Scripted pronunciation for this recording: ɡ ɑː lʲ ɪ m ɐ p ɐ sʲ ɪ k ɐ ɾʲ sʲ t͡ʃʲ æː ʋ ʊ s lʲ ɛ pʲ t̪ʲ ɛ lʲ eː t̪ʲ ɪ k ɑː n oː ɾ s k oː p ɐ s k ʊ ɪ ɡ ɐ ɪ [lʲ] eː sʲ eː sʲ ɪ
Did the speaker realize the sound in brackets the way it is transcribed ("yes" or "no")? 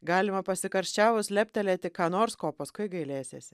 yes